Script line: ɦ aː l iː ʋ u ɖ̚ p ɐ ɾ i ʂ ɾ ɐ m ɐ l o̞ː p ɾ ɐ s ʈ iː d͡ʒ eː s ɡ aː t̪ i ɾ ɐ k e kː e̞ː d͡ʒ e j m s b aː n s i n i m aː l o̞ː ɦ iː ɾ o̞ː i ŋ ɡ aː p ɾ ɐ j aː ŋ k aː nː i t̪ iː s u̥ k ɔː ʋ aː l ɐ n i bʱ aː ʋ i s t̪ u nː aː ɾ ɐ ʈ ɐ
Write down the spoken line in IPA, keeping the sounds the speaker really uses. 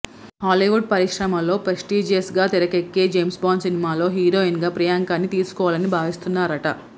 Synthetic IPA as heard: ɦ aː l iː ʋ u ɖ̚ p ɐ ɾ i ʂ ɾ ɐ m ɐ l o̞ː p ɾ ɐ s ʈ iː d͡ʒ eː s ɡ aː t̪ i ɾ ɐ k e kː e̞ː d͡ʒ e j m s b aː n s i n i m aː l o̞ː ɦ iː ɾ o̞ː i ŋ ɡ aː p ɾ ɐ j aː ŋ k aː nː i t̪ iː s u̥ k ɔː ʋ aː l ɐ n i bʱ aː ʋ i s t̪ u nː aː ɾ ɐ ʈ ɐ